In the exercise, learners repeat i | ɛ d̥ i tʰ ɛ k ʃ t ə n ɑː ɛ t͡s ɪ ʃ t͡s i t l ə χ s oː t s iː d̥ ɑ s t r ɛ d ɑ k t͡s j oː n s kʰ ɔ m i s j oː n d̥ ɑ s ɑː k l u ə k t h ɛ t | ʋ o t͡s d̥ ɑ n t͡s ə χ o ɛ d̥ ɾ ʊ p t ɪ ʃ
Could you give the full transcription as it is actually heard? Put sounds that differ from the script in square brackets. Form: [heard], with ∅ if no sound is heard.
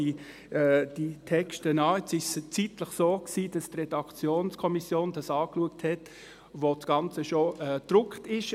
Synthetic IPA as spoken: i | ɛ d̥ i tʰ ɛ k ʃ t ə n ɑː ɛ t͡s ɪ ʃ t͡s i t l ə χ s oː [k] s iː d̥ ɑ s t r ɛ d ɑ k t͡s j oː n s kʰ ɔ m i s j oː n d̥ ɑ s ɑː k l u ə k t h ɛ t | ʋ o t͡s [ɡ̥] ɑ n t͡s ə [ʃ] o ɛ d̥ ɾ ʊ [k] t ɪ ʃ